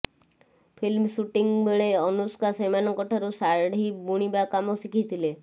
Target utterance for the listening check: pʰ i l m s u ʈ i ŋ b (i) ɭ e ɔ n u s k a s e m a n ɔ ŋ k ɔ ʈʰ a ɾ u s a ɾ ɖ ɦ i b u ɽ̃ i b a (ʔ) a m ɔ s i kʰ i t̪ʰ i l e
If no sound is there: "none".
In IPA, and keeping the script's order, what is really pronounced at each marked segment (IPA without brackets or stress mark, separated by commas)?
e, k